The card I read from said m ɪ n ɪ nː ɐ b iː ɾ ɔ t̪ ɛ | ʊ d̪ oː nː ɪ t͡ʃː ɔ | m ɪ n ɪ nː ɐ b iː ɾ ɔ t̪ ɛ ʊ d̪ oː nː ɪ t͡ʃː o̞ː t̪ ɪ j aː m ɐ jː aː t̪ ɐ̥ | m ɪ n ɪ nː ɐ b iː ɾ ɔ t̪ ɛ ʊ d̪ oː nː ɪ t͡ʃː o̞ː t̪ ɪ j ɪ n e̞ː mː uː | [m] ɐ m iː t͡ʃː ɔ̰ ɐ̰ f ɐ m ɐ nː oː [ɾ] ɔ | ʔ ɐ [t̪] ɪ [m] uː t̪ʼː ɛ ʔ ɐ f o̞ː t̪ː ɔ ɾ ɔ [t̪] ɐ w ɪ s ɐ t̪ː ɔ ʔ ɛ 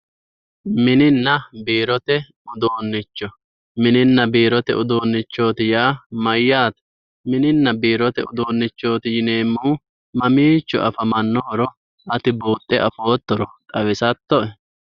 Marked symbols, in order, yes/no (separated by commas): yes, yes, yes, no, no